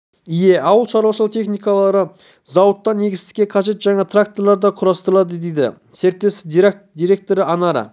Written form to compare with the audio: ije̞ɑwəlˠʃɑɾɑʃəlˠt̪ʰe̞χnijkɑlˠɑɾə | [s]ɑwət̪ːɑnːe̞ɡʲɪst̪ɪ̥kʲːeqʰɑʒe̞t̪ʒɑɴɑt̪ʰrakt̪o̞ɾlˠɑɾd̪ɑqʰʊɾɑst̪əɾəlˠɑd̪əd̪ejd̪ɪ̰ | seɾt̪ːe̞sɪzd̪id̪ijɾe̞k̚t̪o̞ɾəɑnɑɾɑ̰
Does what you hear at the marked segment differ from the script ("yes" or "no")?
yes